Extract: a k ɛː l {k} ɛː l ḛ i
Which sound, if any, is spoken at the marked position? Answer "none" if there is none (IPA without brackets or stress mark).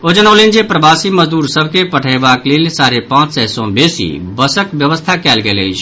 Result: ɡ